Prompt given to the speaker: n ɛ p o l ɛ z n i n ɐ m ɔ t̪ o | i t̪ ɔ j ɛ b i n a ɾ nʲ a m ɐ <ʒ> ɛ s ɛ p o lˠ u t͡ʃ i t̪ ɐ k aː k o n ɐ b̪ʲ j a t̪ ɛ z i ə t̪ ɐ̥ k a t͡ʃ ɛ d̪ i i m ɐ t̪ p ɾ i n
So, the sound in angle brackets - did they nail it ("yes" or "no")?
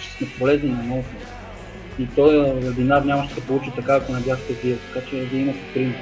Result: no